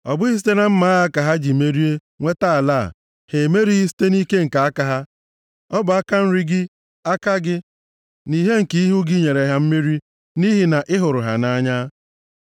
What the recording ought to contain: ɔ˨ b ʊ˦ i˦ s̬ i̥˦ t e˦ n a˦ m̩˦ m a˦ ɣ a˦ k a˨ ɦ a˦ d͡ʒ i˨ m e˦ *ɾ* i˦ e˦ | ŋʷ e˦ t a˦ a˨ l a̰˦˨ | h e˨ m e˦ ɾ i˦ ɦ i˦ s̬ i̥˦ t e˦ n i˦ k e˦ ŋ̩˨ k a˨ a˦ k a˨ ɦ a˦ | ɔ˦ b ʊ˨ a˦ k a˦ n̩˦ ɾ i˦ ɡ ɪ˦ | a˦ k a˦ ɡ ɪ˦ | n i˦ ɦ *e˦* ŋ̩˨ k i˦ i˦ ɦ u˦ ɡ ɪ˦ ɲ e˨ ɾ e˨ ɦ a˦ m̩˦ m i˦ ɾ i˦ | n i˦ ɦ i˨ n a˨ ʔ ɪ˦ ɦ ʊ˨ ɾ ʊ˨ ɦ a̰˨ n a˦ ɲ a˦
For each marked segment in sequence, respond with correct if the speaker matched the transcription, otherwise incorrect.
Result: correct, correct

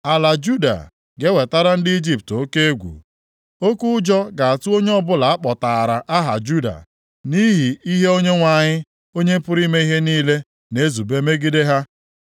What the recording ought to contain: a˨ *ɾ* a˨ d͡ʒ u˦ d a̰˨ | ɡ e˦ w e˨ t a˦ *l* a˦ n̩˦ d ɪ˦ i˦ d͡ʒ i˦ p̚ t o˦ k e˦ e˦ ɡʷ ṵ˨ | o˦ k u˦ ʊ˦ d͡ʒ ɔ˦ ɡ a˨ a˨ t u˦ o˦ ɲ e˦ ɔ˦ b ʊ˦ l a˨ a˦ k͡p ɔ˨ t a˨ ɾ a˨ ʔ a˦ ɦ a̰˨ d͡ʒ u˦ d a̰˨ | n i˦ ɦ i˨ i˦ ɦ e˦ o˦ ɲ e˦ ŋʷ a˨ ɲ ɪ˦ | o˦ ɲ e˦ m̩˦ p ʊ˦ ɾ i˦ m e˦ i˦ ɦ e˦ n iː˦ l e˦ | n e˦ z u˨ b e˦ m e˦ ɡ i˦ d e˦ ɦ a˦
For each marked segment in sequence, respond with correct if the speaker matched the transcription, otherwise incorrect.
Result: incorrect, incorrect

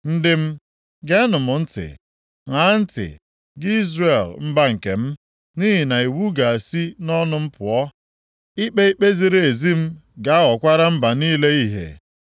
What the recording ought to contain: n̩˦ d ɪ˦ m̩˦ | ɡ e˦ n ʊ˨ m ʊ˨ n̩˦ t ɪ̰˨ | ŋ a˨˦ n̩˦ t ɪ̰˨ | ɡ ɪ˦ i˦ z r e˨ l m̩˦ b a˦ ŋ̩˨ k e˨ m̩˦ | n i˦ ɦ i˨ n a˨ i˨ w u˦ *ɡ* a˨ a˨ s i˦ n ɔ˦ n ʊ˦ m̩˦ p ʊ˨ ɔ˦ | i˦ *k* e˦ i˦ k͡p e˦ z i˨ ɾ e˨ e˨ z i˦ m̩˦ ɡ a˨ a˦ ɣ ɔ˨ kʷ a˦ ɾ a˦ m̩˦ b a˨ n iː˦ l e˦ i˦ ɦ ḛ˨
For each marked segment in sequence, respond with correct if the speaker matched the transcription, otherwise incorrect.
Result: correct, incorrect

